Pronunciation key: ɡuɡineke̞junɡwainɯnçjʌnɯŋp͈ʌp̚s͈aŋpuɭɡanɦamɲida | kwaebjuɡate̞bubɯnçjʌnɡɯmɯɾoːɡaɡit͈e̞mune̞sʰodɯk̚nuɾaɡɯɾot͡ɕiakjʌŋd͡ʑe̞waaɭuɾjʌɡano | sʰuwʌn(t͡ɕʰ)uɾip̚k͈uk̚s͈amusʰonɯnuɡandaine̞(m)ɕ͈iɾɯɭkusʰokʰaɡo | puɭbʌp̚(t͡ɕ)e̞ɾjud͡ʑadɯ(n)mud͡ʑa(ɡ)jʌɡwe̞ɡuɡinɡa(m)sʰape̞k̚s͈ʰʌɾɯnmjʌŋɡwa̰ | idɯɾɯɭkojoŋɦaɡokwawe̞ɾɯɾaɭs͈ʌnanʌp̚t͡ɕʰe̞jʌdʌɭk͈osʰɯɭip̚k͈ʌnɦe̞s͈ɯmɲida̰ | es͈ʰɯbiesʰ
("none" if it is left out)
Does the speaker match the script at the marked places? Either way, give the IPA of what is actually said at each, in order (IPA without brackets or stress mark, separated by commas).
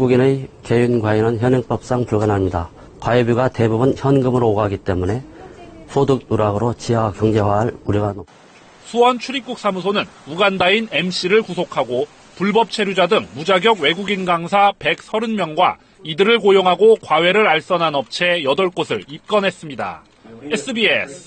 t͡ɕʰ, m, t͡ɕʰ, ŋ, ɡ, ŋ